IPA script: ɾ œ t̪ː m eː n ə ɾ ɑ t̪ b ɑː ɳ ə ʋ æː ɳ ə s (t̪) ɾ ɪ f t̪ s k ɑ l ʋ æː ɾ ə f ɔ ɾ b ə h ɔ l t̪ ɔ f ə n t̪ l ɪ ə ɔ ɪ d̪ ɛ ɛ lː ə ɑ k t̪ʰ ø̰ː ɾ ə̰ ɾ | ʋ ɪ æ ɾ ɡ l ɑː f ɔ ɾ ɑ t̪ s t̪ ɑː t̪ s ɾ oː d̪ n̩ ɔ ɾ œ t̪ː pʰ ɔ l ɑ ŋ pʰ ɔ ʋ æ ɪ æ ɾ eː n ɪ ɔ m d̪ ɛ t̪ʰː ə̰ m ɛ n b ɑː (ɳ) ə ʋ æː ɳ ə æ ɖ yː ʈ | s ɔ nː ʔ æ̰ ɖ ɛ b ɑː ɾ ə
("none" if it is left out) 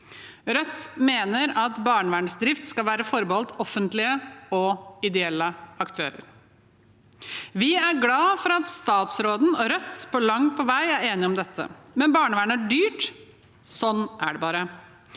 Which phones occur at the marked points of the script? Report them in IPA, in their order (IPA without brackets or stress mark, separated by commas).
d̪, ɳ